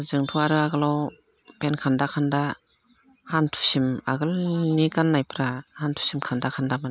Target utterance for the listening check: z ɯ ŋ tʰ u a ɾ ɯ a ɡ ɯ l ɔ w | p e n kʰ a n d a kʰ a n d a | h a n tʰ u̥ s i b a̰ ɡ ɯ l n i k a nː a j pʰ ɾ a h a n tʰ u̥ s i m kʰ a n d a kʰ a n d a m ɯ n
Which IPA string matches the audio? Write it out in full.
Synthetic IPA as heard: z ɯ ŋ tʰ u a ɾ ɯ a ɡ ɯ l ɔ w | p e n kʰ a n d a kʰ a n d a | h a n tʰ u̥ s i m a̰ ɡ ɯ l n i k a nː a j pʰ ɾ a h a n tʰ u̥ s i m kʰ a n d a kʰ a n d a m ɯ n